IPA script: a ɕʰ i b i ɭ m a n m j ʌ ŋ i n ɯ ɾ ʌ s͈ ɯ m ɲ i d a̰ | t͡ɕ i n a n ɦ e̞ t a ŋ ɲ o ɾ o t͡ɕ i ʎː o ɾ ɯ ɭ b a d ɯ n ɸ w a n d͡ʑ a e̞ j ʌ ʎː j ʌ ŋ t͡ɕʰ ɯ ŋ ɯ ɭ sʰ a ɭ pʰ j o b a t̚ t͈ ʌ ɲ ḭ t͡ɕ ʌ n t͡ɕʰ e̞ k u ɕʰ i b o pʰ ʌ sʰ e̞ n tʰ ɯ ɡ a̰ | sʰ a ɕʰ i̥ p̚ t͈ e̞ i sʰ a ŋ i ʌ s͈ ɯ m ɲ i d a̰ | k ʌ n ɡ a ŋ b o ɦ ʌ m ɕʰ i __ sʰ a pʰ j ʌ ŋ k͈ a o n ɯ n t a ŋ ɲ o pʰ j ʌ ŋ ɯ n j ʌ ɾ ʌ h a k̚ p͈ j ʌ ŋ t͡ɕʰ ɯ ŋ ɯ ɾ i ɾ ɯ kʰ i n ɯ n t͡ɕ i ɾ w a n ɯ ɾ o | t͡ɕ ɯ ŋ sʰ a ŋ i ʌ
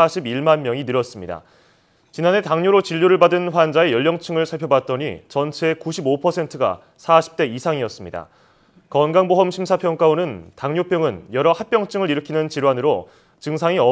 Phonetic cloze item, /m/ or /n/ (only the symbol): m